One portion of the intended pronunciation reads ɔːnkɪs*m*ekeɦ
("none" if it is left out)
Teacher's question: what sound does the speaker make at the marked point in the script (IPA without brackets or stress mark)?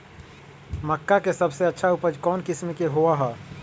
m